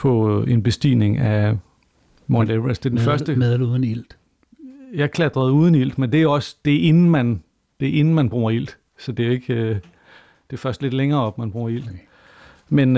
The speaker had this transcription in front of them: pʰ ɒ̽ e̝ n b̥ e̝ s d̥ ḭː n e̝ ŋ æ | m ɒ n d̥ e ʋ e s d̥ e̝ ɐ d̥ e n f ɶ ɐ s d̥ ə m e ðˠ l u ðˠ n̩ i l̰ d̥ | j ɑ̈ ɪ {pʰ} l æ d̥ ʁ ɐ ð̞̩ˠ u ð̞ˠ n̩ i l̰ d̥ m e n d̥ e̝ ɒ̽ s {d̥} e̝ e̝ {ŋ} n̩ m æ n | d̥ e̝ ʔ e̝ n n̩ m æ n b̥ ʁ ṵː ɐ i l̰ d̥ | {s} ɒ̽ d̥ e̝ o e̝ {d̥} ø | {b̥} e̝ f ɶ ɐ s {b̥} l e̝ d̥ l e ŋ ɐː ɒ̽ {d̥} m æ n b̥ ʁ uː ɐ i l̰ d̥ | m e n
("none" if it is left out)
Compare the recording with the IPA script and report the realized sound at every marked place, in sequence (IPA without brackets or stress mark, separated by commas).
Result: kʰ, d̥, n, s, ɡ̥, d̥, d̥, b̥